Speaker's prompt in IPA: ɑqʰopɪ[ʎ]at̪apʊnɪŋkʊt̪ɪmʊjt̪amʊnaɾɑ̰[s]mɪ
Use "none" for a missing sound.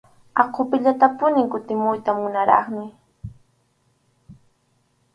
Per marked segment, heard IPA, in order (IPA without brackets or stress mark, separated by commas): ʎ, χ